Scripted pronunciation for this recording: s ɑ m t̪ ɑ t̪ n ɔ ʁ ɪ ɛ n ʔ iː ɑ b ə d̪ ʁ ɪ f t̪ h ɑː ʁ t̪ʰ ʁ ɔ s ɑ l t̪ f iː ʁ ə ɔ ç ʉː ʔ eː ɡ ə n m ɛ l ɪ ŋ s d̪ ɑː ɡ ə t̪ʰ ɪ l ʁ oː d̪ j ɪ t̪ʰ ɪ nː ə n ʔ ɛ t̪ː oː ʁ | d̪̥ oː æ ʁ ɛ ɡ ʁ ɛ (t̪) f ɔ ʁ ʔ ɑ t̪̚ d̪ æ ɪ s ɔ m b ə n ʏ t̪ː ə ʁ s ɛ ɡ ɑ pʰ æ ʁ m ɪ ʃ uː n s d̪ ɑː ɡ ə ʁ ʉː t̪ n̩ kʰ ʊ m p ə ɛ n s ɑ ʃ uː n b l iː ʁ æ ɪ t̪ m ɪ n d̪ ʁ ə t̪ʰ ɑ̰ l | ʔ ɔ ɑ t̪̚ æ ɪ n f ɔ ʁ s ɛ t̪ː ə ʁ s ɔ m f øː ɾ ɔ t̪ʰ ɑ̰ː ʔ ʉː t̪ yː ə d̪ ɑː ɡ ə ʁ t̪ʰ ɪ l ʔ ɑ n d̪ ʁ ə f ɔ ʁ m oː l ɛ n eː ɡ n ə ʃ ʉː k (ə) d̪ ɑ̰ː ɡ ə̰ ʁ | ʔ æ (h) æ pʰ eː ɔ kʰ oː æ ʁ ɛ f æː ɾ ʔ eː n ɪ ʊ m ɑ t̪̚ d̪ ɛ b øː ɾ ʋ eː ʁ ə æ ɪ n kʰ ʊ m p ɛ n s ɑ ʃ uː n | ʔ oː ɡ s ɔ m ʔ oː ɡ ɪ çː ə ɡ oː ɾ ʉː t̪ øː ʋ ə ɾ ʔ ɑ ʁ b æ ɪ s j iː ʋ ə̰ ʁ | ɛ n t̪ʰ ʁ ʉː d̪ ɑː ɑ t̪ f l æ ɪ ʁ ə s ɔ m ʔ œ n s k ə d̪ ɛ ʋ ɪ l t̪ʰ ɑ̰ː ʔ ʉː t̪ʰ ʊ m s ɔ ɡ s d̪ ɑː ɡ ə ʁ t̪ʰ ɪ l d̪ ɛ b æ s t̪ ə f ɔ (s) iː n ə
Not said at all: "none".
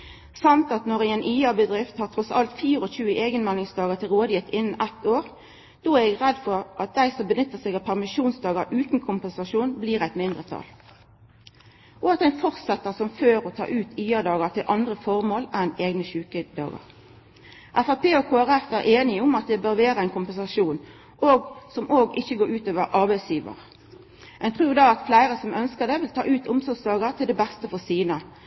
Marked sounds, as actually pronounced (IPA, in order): d̪, ə, f, s

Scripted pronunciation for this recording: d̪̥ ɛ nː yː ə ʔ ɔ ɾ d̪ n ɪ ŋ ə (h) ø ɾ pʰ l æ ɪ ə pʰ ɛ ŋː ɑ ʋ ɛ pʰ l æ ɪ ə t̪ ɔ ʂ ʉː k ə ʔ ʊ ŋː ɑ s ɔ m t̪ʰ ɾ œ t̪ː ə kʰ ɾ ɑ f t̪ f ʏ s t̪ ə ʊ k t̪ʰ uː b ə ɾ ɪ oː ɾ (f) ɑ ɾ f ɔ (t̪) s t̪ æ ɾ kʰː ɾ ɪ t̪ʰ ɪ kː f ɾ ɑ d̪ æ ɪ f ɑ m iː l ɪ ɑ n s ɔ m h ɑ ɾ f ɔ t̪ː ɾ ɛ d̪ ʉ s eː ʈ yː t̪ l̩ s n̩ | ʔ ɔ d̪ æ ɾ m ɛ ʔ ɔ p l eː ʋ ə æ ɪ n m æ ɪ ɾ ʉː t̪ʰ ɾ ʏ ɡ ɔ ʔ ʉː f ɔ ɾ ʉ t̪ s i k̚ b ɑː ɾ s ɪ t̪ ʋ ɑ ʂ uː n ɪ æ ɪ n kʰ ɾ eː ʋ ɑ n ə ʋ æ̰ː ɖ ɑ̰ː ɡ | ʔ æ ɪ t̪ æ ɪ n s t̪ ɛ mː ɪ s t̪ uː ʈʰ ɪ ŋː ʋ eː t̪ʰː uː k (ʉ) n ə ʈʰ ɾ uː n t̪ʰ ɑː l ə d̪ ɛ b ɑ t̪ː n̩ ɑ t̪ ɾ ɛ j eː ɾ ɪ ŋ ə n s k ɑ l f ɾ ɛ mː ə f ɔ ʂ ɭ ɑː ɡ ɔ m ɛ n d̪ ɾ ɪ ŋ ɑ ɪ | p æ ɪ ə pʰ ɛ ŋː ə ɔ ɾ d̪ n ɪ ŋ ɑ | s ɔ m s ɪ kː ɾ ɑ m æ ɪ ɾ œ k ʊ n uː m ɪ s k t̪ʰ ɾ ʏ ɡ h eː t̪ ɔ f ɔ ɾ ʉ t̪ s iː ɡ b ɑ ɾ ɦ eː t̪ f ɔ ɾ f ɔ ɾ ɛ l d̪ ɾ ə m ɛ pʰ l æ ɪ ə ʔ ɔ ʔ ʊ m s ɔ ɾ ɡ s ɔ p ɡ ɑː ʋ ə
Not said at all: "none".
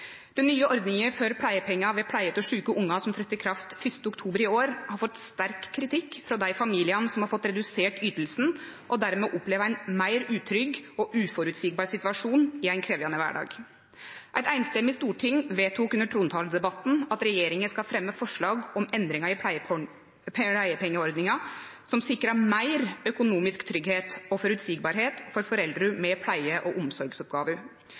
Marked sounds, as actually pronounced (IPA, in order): f, h, t̪, ʉ

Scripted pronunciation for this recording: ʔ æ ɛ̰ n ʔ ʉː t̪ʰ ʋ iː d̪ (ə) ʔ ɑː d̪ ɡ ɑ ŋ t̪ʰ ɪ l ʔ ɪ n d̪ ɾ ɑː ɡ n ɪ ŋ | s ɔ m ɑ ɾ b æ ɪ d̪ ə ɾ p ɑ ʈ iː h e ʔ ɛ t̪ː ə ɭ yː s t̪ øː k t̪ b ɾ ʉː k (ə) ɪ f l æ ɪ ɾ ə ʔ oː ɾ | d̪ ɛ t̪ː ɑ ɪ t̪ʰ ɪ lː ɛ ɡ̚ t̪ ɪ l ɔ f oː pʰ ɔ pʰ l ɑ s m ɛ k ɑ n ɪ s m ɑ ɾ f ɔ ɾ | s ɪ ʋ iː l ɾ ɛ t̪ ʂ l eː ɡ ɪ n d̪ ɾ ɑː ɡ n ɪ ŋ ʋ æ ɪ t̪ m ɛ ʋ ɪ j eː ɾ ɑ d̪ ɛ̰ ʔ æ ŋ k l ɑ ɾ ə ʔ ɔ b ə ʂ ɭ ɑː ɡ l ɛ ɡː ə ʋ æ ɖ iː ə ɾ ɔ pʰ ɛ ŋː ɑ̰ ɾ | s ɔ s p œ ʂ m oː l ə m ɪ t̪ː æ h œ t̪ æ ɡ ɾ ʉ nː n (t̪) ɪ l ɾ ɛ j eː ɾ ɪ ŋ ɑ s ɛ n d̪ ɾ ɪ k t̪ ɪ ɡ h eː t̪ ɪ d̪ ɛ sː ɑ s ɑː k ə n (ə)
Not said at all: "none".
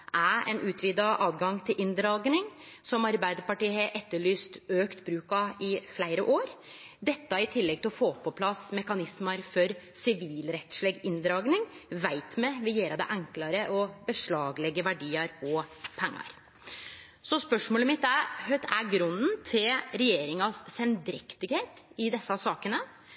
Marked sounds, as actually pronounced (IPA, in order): ɑ, ɑ, t̪ʰ, ə

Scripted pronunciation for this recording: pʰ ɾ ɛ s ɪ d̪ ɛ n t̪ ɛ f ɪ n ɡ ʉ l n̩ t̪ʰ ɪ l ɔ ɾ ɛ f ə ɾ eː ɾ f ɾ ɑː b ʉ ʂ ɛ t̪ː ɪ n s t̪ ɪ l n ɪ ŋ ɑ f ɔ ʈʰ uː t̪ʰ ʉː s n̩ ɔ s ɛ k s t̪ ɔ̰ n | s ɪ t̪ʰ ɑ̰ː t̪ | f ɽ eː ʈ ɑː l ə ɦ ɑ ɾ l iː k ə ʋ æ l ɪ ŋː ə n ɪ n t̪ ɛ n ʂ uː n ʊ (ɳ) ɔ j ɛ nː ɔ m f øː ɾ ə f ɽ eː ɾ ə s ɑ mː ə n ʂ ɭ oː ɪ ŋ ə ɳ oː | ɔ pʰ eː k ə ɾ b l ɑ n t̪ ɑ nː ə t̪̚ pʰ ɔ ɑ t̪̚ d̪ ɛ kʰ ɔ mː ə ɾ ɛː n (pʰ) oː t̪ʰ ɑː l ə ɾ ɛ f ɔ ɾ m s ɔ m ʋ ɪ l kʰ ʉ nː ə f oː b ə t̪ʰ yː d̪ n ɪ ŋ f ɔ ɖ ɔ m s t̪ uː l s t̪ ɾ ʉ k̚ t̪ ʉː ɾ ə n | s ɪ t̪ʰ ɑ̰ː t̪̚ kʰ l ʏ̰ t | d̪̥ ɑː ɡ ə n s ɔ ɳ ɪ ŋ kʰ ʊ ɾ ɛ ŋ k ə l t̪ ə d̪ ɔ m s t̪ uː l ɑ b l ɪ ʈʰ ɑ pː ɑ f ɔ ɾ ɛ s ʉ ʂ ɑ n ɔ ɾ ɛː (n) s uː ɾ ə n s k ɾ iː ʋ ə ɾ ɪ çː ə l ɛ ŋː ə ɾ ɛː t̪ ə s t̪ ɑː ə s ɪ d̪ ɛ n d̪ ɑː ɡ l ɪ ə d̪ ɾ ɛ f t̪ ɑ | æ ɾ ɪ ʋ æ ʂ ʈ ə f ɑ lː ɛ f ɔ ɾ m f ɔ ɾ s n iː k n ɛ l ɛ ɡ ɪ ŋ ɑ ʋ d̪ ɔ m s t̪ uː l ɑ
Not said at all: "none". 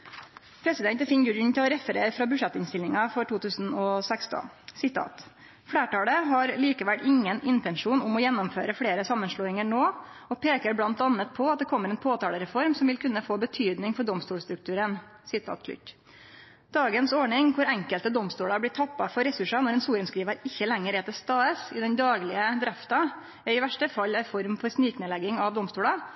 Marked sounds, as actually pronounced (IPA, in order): m, pʰ, n

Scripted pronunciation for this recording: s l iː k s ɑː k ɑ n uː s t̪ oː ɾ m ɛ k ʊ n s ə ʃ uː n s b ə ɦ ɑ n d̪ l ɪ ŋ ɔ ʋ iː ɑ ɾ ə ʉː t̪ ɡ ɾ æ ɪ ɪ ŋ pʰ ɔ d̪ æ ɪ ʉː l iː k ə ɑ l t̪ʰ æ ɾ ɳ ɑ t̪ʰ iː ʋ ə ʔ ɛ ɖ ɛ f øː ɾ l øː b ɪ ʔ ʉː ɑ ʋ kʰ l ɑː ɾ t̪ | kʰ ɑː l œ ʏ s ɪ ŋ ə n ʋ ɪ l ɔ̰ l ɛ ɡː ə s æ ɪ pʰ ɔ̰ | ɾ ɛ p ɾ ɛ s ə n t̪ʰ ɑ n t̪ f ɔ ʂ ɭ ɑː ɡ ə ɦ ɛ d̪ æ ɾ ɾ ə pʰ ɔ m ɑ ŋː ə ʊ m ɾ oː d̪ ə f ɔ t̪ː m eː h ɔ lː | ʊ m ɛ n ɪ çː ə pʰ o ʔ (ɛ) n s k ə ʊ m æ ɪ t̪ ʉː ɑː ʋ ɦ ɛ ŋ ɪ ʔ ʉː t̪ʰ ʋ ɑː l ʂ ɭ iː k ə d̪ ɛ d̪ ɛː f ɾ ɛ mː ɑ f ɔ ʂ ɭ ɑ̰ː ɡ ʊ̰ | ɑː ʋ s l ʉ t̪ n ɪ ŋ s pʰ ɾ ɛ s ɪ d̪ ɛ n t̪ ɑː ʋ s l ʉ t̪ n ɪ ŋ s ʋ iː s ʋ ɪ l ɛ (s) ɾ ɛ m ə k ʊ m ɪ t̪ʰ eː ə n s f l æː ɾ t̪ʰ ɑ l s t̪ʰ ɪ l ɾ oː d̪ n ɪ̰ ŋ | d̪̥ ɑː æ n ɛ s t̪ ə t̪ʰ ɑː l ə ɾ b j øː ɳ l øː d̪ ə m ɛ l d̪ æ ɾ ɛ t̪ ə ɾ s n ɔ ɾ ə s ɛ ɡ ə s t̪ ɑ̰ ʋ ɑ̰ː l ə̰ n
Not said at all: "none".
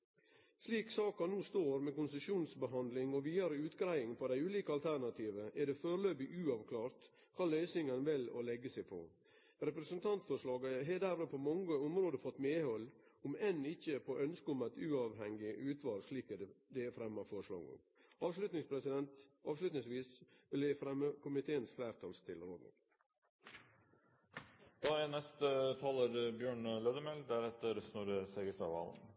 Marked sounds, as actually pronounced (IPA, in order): œ, f

